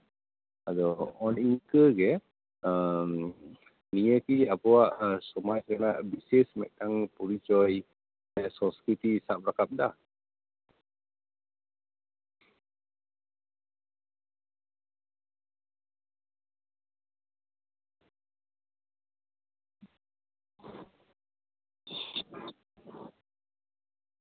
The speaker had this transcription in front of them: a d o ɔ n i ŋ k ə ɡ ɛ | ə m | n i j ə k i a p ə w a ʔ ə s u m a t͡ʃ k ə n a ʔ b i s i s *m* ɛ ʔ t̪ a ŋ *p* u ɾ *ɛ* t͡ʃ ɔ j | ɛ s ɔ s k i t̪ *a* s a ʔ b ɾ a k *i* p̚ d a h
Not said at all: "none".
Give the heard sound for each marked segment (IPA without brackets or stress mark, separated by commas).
m, p, i, i, a